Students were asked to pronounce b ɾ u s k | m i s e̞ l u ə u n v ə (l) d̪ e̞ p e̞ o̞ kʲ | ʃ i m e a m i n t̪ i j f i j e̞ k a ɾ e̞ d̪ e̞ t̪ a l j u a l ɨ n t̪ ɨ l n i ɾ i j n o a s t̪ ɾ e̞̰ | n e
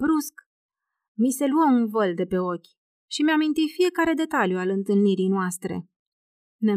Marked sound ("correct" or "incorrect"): correct